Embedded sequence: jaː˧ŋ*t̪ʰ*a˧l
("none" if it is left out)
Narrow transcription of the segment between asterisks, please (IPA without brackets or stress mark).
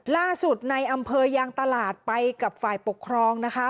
t̪